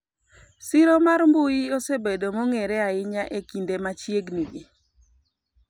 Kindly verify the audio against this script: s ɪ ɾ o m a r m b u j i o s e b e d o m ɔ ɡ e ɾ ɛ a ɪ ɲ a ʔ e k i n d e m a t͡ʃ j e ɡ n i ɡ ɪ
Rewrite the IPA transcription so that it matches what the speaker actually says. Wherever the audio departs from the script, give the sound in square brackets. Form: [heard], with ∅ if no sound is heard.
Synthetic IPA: s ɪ ɾ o m a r m b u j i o s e b e d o m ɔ [ŋ] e ɾ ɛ a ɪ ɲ a ʔ e k i n d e m a t͡ʃ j e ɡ n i ɡ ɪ